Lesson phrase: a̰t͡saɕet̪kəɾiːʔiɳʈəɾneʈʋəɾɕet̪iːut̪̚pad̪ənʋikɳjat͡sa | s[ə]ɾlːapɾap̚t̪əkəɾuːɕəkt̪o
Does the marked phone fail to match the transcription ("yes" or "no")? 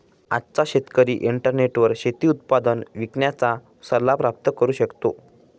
no